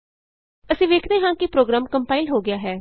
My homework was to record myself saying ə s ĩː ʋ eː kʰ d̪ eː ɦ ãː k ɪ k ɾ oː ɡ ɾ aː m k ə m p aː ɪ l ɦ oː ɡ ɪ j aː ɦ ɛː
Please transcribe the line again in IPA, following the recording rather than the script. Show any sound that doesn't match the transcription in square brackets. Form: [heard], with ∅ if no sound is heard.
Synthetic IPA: ə s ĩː ʋ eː kʰ d̪ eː ɦ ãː k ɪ [p] ɾ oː ɡ ɾ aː m k ə m p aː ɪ l ɦ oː ɡ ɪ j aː ɦ ɛː